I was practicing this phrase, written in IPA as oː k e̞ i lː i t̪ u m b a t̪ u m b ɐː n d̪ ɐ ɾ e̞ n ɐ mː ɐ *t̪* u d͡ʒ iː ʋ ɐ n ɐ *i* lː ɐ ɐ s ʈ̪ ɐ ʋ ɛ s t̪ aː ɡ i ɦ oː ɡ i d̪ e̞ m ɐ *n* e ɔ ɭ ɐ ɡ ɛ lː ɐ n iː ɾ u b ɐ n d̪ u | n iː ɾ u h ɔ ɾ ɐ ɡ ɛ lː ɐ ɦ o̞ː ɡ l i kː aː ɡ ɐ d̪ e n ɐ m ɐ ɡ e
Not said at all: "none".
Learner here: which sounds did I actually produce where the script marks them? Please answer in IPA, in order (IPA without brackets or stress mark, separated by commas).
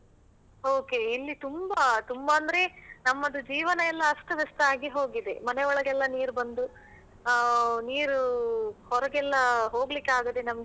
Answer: d̪, ɛ, n